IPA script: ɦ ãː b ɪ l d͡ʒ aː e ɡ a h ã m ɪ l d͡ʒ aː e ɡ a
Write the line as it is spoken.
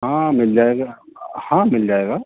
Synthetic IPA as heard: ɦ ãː m ɪ l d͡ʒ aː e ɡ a h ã m ɪ l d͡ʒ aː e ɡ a

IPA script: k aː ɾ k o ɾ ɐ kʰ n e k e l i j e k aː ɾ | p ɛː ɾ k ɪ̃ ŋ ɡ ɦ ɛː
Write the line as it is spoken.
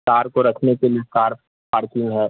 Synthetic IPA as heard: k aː ɾ k o ɾ ɐ kʰ n e k e l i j e k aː ɾ | p aː ɾ k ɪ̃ ŋ ɡ ɦ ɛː

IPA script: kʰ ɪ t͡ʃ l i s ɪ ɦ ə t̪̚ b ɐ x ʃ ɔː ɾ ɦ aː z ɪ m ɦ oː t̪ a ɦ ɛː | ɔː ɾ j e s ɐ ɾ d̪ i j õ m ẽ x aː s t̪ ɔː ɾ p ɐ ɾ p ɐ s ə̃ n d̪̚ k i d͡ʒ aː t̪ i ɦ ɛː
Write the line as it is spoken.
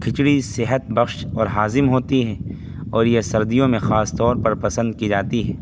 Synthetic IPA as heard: kʰ ɪ t͡ʃ ɽ i s ɪ ɦ ə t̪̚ b ɐ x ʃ ɔː ɾ ɦ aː z ɪ m ɦ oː t̪ i ɦ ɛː | ɔː ɾ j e s ɐ ɾ d̪ i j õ m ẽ x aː s t̪ ɔː ɾ p ɐ ɾ p ɐ s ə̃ n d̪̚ k i d͡ʒ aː t̪ i ɦ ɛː

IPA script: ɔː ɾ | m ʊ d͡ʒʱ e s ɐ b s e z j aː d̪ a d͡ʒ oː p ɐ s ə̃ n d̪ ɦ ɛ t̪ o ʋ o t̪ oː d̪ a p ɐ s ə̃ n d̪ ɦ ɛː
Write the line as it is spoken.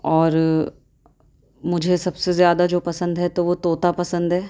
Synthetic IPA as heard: ɔː ɾ | m ʊ d͡ʒʱ e s ɐ b s e z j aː d̪ a d͡ʒ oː p ɐ s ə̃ n d̪ ɦ ɛ t̪ o ʋ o t̪ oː t̪ a p ɐ s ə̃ n d̪ ɦ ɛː

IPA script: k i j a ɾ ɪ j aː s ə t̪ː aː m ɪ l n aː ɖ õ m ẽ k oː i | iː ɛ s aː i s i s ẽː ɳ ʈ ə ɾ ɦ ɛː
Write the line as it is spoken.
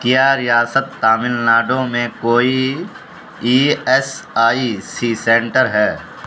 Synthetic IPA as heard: k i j a ɾ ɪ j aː s ə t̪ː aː m ɪ l n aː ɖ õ m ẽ k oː i | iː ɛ s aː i s i s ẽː ɳ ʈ ə ɾ ɦ ɛː

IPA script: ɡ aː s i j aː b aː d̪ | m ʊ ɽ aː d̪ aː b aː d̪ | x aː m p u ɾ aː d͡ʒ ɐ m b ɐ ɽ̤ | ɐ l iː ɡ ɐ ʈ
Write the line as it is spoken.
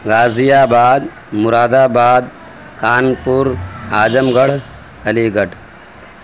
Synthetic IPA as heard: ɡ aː z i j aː b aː d̪ | m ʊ ɾ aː d̪ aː b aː d̪ | k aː n p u ɾ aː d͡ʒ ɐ m ɡ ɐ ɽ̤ | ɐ l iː ɡ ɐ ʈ

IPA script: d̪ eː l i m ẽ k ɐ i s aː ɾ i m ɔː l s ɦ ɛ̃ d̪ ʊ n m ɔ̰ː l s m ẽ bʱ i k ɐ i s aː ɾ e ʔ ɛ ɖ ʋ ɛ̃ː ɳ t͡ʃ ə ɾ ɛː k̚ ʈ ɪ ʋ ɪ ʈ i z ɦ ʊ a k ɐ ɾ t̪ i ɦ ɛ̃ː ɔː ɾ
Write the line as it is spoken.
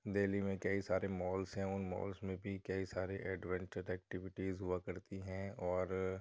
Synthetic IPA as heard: d̪ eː l i m ẽ k ɐ i s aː ɾ e m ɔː l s ɦ ɛ̃ ʊ n m ɔ̰ː l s m ẽ bʱ i k ɐ i s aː ɾ e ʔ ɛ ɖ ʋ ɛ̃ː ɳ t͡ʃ ə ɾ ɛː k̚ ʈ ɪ ʋ ɪ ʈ i z ɦ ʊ a k ɐ ɾ t̪ i ɦ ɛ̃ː ɔː ɾ

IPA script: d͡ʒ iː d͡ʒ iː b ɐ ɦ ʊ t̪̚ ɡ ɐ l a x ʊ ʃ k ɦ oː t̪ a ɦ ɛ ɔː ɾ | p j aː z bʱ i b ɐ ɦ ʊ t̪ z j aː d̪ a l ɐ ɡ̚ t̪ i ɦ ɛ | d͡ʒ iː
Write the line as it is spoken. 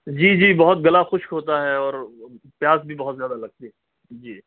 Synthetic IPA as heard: d͡ʒ iː d͡ʒ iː b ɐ ɦ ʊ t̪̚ ɡ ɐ l a x ʊ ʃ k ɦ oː t̪ a ɦ ɛ ɔː ɾ | p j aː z bʱ i b ɐ ɦ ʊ t̪ z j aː d̪ a l ɐ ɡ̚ t̪ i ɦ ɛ | d͡ʒ iː

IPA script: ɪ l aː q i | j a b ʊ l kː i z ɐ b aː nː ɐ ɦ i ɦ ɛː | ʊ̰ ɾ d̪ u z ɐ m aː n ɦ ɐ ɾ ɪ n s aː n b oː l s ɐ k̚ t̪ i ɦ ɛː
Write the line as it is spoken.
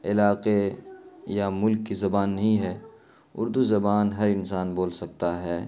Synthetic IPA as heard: ɪ l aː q e | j a m ʊ l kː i z ɐ b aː nː ɐ ɦ ĩ ɦ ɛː | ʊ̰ ɾ d̪ u z ɐ b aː n ɦ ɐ ɾ ɪ n s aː n b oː l s ɐ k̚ t̪ a ɦ ɛː

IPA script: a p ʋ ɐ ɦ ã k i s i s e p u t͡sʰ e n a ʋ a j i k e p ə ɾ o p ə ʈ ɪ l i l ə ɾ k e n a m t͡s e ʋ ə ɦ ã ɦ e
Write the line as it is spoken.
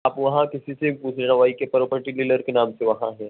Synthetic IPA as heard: a p ʋ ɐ ɦ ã k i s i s e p u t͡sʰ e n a ʋ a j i k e p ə ɾ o p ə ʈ i l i l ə ɾ k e n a m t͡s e ʋ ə ɦ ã ɦ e

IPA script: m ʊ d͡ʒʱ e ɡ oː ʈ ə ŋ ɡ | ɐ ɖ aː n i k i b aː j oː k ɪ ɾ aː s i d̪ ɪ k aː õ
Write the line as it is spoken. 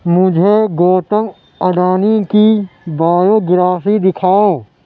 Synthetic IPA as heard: m ʊ d͡ʒʱ e ɡ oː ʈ ə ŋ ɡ | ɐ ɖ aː n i k i b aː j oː ɡ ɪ ɾ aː s i d̪ ɪ kʰ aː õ

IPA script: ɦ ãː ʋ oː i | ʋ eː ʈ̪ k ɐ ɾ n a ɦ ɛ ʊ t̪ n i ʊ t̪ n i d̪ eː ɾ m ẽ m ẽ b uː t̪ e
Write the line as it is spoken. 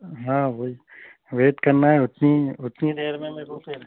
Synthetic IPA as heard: ɦ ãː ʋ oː i | ʋ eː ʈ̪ k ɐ ɾ n a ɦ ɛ ʊ t̪ n i ʊ t̪ n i d̪ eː ɾ m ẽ m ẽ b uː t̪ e

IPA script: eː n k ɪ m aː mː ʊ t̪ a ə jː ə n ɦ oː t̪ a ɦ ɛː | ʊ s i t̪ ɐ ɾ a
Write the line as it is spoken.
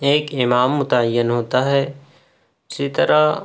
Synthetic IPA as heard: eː k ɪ m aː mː ʊ t̪ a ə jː ə n ɦ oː t̪ a ɦ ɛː | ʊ s i t̪ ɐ ɾ a

